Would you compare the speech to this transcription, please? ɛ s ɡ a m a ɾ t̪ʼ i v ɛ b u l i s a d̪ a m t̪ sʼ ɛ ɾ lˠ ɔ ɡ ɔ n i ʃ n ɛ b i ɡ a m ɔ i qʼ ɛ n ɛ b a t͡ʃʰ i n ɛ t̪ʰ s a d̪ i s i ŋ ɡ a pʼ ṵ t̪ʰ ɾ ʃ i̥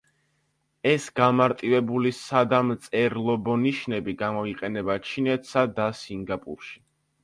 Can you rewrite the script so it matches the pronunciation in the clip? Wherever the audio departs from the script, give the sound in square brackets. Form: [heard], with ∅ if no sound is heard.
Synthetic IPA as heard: ɛ s ɡ a m a ɾ t̪ʼ i v ɛ b u l i s a d̪ a m t̪ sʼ ɛ ɾ lˠ ɔ [b] ɔ n i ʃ n ɛ b i ɡ a m ɔ i qʼ ɛ n ɛ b a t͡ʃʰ i n ɛ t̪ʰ s a d̪ [a] s i ŋ ɡ a pʼ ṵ [∅] ɾ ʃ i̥